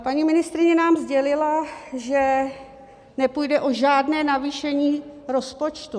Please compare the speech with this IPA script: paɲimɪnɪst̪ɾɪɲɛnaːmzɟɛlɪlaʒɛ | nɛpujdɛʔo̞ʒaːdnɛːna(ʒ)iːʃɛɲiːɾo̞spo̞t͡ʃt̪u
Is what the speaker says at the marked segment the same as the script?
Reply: no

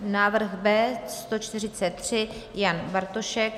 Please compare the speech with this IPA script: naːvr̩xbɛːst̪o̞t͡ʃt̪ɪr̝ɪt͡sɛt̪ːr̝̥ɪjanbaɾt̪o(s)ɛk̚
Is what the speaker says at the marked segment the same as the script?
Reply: no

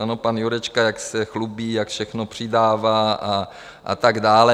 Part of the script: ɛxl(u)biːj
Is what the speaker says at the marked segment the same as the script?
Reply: yes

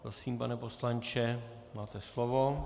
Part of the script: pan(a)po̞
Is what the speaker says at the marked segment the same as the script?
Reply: no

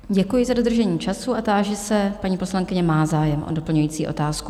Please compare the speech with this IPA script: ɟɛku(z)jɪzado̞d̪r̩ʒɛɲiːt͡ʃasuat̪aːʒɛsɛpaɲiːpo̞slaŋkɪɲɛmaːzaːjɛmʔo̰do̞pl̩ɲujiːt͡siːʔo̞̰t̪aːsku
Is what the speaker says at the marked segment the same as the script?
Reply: no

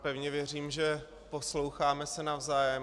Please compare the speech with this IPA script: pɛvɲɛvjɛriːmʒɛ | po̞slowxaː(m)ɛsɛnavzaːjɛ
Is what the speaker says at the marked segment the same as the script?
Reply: yes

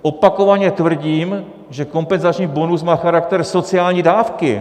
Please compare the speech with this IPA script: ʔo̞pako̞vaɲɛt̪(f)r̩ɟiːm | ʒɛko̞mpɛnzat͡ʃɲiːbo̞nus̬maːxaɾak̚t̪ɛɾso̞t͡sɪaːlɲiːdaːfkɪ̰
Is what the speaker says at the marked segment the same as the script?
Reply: no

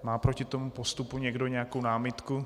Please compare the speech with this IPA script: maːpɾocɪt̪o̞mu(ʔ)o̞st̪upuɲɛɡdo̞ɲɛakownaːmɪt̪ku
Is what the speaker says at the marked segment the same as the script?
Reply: no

